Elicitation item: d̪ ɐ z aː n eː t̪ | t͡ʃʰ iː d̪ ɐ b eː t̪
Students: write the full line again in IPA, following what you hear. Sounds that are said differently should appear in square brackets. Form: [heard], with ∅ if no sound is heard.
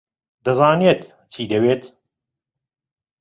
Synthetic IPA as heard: d̪ ɐ z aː n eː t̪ | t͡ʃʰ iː d̪ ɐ [w] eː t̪

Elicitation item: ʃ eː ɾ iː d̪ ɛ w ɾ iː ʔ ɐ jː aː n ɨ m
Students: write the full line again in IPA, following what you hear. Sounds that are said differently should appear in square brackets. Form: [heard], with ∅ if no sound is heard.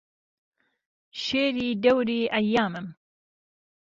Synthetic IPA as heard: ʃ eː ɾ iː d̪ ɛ w ɾ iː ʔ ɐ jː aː [m] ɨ m

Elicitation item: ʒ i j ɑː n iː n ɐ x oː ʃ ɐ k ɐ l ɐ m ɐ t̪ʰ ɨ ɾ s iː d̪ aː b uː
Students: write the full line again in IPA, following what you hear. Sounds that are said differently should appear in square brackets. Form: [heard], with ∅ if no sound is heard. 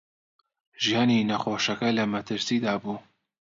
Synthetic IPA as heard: ʒ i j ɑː n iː n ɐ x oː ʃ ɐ k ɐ l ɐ m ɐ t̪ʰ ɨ ɾ s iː d̪ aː b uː

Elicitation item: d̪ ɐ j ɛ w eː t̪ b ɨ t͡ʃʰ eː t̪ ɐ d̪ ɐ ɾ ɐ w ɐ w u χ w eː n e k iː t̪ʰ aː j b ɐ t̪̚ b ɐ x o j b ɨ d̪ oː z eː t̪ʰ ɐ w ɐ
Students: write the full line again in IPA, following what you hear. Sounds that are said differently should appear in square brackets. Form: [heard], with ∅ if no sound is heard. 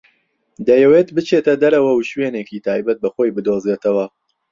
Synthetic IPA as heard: d̪ ɐ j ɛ w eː t̪ b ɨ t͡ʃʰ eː t̪ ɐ d̪ ɐ ɾ ɐ w ɐ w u [ʃ] w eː n e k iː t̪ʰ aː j b ɐ t̪̚ b ɐ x o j b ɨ d̪ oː z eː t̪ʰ ɐ w ɐ

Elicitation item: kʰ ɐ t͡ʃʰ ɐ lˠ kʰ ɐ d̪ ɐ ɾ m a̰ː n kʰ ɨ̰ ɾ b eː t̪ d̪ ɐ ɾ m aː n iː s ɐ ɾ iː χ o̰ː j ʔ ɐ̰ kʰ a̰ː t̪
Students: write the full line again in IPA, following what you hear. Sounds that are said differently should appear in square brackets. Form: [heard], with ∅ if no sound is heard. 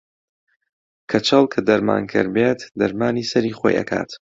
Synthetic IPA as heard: kʰ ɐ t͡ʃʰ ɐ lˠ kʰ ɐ d̪ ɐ ɾ m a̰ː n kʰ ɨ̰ ɾ b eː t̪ d̪ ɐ ɾ m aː n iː s ɐ ɾ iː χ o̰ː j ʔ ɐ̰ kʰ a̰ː t̪

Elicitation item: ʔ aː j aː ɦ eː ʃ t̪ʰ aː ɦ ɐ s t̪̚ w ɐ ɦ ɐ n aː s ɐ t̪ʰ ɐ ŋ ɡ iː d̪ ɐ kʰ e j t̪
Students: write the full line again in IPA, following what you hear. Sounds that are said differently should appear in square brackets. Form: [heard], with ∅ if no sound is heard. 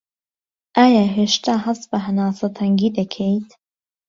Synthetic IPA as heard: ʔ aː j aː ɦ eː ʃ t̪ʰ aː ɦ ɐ s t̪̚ [b] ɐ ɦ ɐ n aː s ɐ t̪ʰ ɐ ŋ ɡ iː d̪ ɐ kʰ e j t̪

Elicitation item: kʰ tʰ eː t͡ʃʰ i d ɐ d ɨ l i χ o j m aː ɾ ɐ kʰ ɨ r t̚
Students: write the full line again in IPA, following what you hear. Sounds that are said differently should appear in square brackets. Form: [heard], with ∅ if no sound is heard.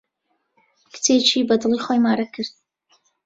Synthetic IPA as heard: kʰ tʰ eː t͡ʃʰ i [b] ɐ d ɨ l i χ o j m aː ɾ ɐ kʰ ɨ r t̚

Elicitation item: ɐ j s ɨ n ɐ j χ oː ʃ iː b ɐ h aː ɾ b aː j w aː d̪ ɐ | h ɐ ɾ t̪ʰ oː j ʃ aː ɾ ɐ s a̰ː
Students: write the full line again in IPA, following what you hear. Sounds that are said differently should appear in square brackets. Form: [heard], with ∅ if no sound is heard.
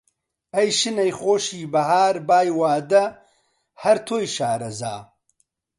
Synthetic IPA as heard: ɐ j [ʃ] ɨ n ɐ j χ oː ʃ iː b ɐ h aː ɾ b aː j w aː d̪ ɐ | h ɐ ɾ t̪ʰ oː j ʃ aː ɾ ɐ [z] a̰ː

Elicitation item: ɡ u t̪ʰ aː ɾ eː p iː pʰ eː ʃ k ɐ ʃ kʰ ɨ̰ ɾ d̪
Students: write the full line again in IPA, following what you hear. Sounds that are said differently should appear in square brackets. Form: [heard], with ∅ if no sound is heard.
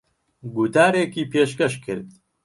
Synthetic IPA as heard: ɡ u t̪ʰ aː ɾ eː [k] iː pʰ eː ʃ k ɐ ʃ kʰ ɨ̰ ɾ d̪

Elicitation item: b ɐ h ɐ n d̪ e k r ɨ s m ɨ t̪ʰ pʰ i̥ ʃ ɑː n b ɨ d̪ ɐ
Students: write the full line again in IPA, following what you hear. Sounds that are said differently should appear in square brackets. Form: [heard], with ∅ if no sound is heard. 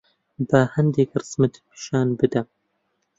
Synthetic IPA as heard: b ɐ h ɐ n d̪ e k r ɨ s m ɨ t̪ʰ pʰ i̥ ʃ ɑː n b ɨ d̪ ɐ

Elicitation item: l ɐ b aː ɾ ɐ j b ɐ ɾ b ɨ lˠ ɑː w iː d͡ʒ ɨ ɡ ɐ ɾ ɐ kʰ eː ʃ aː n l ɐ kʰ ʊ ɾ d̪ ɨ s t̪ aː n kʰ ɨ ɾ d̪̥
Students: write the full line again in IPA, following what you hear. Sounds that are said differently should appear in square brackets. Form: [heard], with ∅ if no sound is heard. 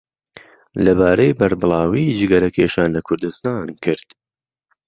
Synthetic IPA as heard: l ɐ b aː ɾ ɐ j b ɐ ɾ b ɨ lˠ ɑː w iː d͡ʒ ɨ ɡ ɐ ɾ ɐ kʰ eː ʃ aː n l ɐ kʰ ʊ ɾ d̪ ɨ s t̪ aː n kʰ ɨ ɾ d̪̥

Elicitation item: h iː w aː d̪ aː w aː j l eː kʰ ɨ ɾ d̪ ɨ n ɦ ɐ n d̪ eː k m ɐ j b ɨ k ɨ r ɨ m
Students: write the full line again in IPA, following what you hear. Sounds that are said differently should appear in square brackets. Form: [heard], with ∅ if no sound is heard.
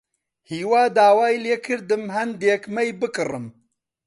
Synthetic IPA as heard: h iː w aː d̪ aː w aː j l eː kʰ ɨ ɾ d̪ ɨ [m] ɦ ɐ n d̪ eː k m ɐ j b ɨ k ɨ r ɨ m

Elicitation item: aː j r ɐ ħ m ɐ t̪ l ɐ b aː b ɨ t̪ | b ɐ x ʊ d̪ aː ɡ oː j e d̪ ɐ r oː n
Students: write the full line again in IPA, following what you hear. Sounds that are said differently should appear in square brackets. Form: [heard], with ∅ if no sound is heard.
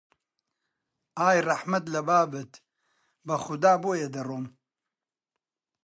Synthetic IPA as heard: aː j r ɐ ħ m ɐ t̪ l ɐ b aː b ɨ t̪ | b ɐ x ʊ d̪ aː [b] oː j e d̪ ɐ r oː [m]

